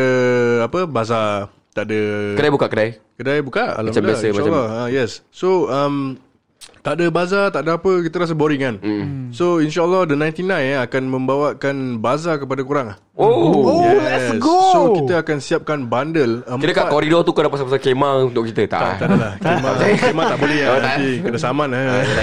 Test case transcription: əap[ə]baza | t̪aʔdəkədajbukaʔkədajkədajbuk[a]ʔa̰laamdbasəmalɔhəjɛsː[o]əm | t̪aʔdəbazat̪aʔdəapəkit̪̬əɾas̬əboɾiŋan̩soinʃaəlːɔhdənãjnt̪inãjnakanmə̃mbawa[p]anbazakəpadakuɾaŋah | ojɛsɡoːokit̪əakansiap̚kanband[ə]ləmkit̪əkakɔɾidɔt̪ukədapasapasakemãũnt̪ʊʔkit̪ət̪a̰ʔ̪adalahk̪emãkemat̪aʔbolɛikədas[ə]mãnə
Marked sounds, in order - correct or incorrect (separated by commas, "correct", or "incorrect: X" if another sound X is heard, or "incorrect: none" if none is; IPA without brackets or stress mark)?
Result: correct, correct, correct, incorrect: k, correct, incorrect: a